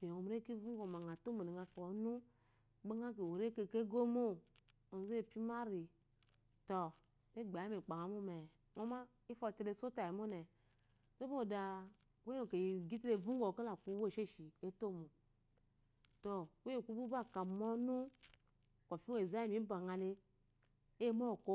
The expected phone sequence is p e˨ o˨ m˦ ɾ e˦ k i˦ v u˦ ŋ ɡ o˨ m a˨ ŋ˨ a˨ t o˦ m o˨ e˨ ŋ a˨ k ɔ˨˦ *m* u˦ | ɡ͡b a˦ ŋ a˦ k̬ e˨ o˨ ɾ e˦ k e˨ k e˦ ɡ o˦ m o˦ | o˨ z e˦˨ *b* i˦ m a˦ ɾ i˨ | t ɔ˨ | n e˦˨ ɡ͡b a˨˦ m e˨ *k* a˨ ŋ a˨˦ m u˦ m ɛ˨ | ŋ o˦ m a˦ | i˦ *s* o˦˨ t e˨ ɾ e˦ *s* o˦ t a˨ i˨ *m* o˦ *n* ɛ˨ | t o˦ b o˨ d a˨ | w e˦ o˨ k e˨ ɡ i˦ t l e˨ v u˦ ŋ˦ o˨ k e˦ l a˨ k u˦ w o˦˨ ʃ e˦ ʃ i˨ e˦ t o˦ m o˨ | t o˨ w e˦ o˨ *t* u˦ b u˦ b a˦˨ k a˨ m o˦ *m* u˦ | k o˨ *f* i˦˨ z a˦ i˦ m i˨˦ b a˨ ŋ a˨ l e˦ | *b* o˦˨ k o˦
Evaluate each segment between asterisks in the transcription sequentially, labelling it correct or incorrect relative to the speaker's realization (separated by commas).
incorrect, incorrect, incorrect, incorrect, correct, correct, correct, incorrect, incorrect, correct, incorrect